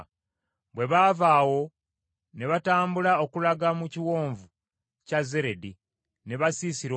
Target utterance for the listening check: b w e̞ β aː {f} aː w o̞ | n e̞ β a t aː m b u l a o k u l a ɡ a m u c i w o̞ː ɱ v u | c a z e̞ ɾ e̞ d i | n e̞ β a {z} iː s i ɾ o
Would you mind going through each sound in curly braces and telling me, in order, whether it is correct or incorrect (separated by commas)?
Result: incorrect, incorrect